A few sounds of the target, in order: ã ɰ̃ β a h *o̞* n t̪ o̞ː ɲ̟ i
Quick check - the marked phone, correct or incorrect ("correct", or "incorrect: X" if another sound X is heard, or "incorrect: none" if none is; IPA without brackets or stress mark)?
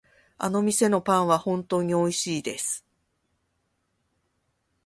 incorrect: õ̞